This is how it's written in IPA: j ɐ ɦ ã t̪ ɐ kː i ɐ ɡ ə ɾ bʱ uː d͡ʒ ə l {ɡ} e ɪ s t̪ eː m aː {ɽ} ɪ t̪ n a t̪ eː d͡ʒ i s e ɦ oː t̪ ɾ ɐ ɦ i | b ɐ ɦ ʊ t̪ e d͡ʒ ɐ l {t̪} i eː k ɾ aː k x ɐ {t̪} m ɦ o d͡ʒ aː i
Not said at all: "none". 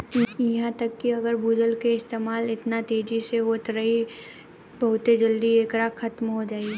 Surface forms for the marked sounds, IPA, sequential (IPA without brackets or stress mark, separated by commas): k, l, d̪, t̪